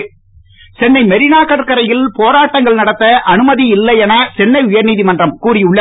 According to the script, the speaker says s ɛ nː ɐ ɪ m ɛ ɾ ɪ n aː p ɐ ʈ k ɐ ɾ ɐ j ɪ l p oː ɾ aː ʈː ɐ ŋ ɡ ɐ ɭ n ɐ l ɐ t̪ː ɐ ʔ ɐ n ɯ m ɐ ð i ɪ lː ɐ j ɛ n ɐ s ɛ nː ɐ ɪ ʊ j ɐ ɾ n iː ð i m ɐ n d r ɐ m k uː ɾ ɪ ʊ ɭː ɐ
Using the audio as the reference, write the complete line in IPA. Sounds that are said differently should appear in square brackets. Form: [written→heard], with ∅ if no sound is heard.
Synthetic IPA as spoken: s ɛ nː ɐ ɪ m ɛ ɾ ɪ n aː [p→k] ɐ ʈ k ɐ ɾ ɐ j ɪ l p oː ɾ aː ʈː ɐ ŋ ɡ ɐ ɭ n ɐ [l→ɽ] ɐ t̪ː ɐ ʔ ɐ n ɯ m ɐ ð i ɪ lː ɐ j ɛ n ɐ s ɛ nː ɐ ɪ ʊ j ɐ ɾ n iː ð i m ɐ n d r ɐ m k uː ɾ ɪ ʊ ɭː ɐ